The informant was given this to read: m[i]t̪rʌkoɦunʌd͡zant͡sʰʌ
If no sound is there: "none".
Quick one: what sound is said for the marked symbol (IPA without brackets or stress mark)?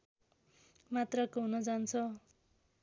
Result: a